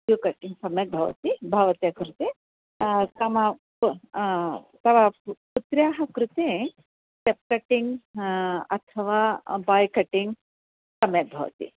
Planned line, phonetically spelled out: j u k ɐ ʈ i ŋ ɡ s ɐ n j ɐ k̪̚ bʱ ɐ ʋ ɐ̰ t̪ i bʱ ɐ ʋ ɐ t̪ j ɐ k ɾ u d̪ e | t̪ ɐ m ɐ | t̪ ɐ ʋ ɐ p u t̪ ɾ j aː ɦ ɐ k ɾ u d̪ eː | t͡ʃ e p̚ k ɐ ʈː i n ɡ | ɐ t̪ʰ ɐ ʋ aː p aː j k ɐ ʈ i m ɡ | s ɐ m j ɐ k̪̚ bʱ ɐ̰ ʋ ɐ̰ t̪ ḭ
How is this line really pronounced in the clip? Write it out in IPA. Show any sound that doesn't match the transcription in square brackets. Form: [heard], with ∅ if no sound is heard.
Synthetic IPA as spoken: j u k ɐ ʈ i ŋ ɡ s ɐ [m] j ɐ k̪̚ bʱ ɐ ʋ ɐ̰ t̪ i bʱ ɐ ʋ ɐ t̪ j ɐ k ɾ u [t̪] e | t̪ ɐ m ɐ | t̪ ɐ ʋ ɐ p u t̪ ɾ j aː ɦ ɐ k ɾ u [t̪] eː | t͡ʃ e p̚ k ɐ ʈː i [ŋ] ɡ | ɐ t̪ʰ ɐ ʋ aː [b] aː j k ɐ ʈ i [ŋ] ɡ | s ɐ m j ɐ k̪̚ bʱ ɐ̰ ʋ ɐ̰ t̪ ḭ